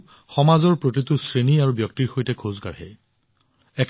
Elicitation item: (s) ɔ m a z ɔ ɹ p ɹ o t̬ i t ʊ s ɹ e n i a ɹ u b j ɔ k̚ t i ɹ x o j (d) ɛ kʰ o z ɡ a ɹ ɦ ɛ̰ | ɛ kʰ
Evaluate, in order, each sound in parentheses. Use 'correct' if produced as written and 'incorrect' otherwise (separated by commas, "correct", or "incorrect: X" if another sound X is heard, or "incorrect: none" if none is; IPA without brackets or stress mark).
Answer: incorrect: x, incorrect: t